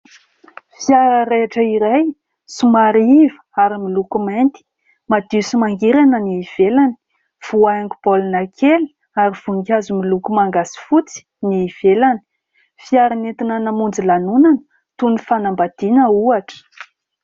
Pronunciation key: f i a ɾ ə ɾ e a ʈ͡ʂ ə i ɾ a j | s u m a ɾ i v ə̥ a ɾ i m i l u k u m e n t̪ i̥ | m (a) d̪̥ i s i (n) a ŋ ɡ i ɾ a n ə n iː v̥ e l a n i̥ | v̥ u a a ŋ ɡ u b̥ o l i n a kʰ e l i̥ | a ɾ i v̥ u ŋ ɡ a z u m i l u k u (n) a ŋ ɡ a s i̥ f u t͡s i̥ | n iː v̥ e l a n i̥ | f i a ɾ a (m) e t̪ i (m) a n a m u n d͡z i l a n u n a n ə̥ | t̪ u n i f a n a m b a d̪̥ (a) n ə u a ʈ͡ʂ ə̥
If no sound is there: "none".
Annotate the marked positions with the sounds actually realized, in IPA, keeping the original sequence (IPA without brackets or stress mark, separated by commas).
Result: a, m, m, n, n, i